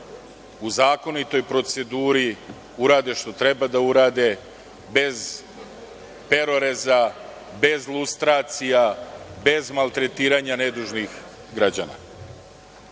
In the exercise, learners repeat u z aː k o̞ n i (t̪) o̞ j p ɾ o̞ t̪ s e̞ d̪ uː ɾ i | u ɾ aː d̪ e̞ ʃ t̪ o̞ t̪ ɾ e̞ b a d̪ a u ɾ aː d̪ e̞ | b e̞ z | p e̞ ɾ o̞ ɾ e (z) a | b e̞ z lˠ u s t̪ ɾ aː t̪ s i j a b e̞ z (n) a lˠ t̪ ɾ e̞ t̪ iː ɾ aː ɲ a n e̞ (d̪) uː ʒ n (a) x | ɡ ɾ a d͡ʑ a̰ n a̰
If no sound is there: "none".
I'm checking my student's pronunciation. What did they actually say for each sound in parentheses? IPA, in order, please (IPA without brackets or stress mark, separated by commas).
t̪, z, m, d̪, i